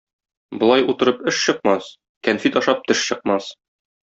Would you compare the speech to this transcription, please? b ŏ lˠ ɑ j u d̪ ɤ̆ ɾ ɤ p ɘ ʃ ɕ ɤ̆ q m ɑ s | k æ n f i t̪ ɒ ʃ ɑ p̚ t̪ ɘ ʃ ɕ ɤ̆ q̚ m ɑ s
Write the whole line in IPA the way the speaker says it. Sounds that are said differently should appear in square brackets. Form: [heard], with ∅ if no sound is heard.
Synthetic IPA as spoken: b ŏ lˠ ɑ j u [t̪] ɤ̆ ɾ ɤ p ɘ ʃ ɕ ɤ̆ q m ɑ s | k æ n f i t̪ ɒ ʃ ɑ p̚ t̪ ɘ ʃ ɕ ɤ̆ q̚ m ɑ s